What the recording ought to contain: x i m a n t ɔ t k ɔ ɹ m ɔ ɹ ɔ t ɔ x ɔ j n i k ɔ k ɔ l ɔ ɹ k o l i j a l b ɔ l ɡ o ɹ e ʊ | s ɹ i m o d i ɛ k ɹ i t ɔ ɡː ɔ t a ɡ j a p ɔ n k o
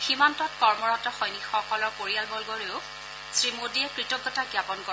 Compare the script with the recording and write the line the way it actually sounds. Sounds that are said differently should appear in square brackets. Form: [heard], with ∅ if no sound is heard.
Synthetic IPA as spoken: x i m a n t ɔ t k ɔ ɹ m ɔ ɹ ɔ t ɔ x ɔ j n i [x] ɔ k ɔ l ɔ ɹ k o [ɹ] i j a l b ɔ l ɡ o ɹ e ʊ | s ɹ i m o d i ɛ k ɹ i t ɔ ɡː ɔ t a ɡ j a p ɔ n k [ɔ]